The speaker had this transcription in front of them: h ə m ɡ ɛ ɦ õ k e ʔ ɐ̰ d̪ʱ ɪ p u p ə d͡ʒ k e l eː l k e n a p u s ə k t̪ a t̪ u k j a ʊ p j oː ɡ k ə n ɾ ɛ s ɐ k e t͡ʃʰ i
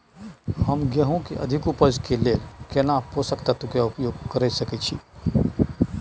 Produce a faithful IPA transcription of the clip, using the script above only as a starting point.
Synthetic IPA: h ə m ɡ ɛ ɦ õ k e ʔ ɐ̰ d̪ʱ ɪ k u p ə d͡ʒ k e l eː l k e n a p o s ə k t̪ a t̪ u k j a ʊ p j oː ɡ k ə ɾ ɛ s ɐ k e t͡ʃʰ i